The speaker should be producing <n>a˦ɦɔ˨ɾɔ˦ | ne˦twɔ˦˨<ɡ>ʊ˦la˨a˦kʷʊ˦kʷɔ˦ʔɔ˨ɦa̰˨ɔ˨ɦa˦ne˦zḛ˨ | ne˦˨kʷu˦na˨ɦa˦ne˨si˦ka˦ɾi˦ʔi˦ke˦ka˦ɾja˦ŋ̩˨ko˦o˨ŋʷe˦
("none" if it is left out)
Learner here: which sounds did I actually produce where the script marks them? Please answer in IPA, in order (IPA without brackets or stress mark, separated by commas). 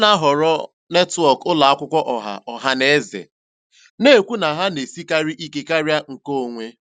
n, k